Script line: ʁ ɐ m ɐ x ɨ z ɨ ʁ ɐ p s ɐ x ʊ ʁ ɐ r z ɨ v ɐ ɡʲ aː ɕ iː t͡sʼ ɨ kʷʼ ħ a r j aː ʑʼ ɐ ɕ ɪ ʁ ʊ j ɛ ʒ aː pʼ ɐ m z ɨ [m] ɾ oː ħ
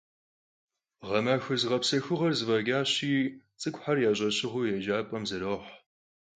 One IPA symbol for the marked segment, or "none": none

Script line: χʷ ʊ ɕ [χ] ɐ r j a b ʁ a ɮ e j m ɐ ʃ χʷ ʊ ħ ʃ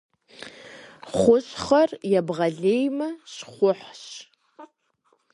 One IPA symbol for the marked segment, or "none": χ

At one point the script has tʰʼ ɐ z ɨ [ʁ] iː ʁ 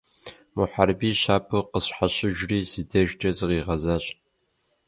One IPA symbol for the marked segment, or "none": ʁ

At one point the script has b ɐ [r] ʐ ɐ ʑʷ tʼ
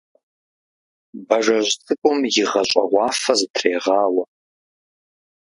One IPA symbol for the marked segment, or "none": none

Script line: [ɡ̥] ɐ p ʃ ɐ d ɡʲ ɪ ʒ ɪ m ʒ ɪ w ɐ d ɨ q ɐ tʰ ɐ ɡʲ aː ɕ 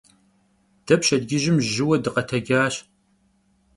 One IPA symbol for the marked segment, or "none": d̥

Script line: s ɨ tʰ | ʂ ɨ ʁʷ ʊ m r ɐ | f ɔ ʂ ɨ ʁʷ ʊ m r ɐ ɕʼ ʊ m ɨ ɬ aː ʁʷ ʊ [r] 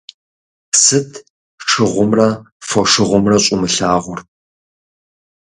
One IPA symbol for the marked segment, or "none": r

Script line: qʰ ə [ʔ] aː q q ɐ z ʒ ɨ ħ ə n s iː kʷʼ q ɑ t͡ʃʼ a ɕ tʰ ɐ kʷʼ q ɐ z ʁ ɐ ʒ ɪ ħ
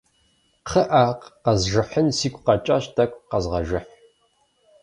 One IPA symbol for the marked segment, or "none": ʔ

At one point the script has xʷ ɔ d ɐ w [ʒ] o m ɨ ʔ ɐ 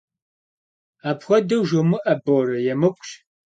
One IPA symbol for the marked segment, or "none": ʒ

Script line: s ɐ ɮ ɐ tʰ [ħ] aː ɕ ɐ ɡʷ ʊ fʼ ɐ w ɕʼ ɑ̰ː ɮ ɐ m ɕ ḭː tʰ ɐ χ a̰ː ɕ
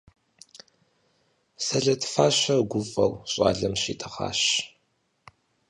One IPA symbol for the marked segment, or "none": f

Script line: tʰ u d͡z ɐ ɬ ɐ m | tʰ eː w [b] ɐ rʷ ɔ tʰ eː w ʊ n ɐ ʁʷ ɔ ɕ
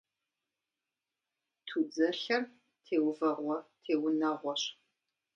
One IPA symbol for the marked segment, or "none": v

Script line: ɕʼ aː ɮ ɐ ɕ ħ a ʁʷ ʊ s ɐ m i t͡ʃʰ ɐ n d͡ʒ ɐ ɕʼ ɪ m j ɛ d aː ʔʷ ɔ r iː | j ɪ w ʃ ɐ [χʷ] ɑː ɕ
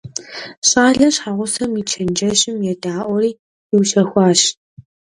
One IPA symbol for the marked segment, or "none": xʷ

